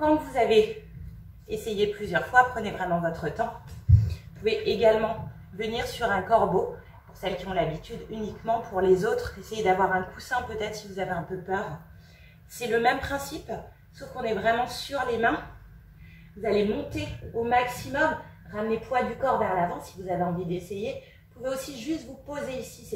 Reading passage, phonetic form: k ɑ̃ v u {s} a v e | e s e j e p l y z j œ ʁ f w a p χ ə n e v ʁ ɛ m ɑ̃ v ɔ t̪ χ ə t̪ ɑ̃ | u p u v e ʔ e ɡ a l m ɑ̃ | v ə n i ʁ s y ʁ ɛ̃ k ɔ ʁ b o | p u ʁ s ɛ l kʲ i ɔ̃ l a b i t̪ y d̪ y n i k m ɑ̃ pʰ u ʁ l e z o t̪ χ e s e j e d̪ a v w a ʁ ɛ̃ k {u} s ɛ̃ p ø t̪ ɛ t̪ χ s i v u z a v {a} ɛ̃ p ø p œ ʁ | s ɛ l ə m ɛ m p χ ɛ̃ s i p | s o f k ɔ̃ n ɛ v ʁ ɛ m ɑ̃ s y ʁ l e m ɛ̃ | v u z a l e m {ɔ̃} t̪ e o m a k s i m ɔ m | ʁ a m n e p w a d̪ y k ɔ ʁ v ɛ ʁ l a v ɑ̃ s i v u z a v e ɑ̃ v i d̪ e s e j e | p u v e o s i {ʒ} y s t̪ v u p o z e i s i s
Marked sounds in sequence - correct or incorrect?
incorrect: z, correct, incorrect: e, correct, correct

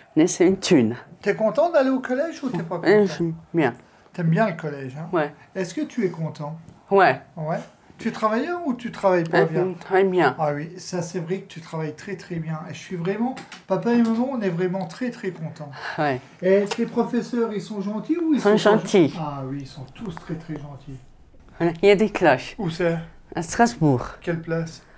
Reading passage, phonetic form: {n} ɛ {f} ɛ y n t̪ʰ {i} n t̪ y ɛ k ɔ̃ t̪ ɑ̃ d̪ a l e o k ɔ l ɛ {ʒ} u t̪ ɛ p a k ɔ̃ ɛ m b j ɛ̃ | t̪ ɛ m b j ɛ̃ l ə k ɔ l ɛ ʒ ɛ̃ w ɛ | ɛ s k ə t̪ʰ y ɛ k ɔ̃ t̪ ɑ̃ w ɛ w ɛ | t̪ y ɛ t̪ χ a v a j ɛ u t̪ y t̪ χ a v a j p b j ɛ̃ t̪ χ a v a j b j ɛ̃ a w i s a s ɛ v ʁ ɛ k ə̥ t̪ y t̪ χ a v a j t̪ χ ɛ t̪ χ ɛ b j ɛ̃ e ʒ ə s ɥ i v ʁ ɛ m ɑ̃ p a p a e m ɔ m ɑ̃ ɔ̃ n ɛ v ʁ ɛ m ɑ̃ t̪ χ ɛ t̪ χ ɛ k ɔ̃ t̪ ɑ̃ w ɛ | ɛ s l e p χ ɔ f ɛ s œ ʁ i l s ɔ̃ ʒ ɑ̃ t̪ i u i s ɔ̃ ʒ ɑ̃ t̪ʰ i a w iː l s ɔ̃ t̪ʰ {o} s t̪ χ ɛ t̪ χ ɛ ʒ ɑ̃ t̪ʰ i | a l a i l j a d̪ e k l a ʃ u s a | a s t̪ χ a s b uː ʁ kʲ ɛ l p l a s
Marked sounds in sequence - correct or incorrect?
correct, incorrect: s, incorrect: y, correct, incorrect: u

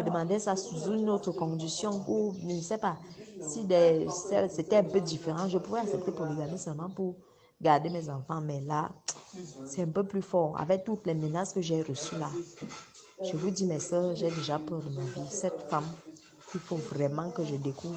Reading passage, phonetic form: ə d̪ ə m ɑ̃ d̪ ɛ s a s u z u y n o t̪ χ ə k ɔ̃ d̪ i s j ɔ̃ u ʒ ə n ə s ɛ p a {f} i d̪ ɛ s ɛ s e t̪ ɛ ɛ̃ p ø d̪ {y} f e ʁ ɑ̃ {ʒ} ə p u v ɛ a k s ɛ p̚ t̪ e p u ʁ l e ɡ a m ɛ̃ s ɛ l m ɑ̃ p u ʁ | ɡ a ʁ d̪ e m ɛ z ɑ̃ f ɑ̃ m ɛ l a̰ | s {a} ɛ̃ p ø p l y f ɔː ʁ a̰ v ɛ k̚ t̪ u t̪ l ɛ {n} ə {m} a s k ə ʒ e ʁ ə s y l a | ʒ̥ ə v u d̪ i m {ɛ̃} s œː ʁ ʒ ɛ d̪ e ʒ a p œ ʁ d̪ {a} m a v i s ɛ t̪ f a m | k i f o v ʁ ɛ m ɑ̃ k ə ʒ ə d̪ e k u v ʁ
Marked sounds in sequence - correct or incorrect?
incorrect: s, incorrect: i, correct, incorrect: ɛ, incorrect: m, incorrect: n, incorrect: ɛ, incorrect: ə

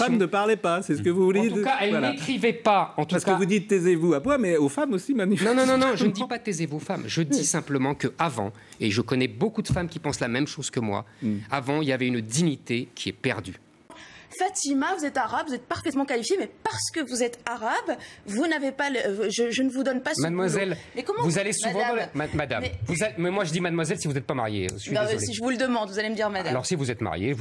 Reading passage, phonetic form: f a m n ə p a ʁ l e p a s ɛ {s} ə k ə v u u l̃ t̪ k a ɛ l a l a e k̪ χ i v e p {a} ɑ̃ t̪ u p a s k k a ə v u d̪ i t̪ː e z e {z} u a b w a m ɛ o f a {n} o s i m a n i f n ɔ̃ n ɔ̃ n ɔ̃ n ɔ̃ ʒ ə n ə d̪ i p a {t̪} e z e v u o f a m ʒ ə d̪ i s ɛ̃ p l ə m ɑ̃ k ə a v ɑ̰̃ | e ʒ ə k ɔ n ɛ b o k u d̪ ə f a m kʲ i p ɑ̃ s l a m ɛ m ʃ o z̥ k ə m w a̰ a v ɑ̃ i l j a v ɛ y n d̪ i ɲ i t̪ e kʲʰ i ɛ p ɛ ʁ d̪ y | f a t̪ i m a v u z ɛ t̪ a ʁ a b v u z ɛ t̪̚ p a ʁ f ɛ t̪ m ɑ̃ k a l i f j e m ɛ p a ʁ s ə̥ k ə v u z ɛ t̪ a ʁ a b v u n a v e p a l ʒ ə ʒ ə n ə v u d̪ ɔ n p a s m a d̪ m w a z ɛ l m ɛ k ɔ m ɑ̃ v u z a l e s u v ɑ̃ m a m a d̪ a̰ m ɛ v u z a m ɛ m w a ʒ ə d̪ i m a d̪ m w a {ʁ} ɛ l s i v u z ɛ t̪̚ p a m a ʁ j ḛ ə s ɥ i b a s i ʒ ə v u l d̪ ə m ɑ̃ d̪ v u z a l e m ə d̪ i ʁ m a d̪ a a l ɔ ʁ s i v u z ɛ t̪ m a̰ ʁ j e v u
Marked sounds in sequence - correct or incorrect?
correct, correct, incorrect: v, incorrect: m, correct, incorrect: z

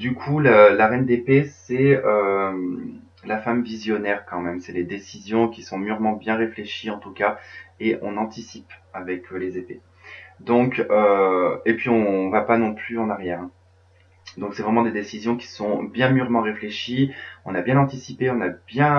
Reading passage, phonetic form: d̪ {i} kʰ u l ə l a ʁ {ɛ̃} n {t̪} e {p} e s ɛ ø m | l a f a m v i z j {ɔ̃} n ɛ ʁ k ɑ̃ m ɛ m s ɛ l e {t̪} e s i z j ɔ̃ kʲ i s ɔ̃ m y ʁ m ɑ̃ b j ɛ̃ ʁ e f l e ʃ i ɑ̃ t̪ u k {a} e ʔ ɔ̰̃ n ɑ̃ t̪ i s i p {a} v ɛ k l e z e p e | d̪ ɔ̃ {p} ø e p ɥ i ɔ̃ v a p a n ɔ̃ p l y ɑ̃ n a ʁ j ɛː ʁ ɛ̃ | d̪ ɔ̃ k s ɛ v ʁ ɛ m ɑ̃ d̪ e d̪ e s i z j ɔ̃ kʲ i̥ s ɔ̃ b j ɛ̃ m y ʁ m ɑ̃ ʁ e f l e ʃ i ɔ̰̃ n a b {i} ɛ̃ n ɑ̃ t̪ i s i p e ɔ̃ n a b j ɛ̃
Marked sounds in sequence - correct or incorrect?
incorrect: y, incorrect: ɛ, incorrect: d̪, correct, incorrect: ɔ, incorrect: d̪, correct, correct, incorrect: k, incorrect: j

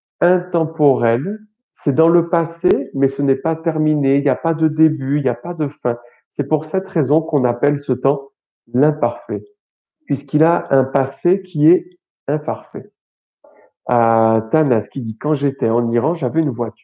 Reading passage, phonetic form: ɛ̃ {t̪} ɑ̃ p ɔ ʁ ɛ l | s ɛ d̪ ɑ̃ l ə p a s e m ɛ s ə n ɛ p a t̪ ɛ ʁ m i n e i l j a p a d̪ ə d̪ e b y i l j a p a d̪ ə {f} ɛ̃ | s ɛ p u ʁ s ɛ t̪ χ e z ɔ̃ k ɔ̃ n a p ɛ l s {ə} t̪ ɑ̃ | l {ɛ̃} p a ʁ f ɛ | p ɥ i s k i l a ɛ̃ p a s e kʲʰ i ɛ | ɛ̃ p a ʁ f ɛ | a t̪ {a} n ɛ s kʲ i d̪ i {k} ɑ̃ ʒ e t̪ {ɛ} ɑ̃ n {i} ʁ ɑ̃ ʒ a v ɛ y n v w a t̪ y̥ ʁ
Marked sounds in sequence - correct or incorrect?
correct, correct, correct, correct, correct, correct, correct, correct

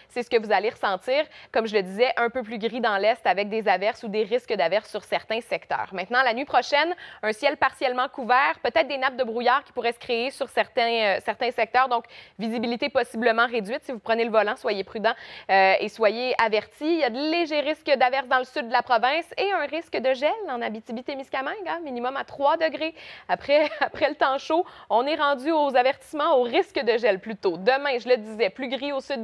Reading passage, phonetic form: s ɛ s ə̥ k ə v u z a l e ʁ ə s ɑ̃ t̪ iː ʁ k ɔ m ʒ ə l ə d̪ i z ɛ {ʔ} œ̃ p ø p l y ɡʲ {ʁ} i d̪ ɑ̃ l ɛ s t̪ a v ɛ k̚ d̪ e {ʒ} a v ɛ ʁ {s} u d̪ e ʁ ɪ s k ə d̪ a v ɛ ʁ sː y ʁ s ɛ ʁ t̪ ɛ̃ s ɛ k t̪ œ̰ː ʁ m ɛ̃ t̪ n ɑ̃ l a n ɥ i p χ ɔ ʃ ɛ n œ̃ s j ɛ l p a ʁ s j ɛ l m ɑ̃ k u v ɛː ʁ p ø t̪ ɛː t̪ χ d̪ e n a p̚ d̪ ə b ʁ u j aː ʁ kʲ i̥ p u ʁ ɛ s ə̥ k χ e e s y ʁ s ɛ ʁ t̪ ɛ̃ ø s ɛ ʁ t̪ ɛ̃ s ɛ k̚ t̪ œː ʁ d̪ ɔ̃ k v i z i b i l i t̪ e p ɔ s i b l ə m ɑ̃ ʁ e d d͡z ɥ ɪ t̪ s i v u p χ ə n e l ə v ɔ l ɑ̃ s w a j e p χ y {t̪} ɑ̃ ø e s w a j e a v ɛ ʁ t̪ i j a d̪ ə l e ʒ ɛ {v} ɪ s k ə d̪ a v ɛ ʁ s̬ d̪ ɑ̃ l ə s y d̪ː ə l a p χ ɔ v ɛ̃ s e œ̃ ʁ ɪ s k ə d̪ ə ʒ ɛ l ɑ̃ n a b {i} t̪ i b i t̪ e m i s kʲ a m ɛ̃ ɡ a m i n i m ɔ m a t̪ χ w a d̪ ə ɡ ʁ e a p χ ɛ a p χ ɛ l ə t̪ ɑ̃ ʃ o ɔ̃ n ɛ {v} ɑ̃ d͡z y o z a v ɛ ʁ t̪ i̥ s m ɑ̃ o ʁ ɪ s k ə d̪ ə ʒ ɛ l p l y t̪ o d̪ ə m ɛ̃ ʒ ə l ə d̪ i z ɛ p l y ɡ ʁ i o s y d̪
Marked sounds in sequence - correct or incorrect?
correct, correct, incorrect: z, correct, incorrect: d̪, incorrect: ʁ, correct, incorrect: ʁ

